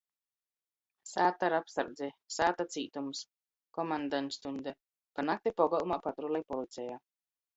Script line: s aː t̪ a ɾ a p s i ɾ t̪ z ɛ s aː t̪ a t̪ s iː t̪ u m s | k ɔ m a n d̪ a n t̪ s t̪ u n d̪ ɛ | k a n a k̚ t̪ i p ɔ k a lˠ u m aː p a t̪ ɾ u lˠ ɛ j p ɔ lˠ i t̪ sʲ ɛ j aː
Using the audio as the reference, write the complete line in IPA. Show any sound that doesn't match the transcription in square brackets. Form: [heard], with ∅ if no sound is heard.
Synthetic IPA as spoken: s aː t̪ a ɾ a p s [a] ɾ [d̪] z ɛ s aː t̪ a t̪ s iː t̪ u m s | k ɔ m a n d̪ a n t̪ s t̪ u n d̪ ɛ | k a n a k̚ t̪ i p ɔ [ɡ] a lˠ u m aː p a t̪ ɾ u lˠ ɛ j p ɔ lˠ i t̪ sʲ ɛ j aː